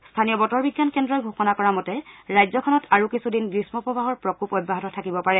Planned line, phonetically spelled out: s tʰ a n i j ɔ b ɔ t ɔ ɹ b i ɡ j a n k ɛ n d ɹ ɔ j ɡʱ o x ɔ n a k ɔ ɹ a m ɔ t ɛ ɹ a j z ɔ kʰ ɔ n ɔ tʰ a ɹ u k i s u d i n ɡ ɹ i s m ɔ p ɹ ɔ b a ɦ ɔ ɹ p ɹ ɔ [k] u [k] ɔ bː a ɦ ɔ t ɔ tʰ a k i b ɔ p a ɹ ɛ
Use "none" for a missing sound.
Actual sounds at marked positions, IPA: k, p

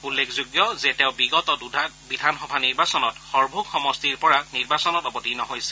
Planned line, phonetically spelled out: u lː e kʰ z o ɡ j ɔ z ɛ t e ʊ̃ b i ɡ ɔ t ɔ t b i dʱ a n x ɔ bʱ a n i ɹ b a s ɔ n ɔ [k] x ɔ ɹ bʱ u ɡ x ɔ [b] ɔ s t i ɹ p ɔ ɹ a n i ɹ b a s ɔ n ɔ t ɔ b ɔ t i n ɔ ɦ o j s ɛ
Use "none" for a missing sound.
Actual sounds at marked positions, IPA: t, m

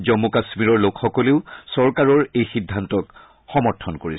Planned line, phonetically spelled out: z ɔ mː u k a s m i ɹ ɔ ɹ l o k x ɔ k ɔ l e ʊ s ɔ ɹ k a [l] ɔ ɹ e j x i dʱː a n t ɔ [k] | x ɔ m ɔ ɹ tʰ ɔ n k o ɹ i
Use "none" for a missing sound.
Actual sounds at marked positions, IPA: ɹ, k

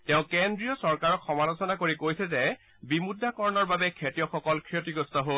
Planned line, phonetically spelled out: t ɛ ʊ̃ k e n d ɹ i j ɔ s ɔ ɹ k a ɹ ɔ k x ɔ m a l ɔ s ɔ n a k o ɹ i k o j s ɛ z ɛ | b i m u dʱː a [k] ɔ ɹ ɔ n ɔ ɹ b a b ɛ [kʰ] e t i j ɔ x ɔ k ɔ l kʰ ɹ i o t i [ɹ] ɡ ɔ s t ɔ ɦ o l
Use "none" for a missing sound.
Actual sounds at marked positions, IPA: k, kʰ, none

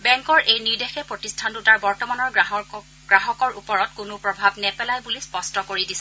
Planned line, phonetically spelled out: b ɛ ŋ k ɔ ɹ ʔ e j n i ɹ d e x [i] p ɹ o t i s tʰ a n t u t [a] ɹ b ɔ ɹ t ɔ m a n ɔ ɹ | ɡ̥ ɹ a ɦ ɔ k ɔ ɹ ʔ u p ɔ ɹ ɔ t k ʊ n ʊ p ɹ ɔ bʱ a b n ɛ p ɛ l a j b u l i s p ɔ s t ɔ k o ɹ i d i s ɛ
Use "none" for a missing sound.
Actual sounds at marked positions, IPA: ɛ, a

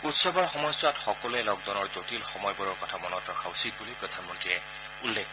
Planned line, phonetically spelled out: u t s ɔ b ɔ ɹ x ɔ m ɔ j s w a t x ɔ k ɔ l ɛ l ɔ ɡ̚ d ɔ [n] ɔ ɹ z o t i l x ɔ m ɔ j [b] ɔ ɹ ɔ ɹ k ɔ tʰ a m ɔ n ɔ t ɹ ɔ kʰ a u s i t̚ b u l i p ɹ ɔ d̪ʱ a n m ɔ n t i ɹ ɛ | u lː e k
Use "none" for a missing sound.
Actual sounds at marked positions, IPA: n, b

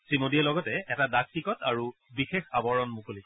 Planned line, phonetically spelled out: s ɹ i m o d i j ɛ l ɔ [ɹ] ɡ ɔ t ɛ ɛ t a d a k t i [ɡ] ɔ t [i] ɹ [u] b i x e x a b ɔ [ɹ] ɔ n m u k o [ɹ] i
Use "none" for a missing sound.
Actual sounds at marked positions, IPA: none, k, a, u, ɹ, l

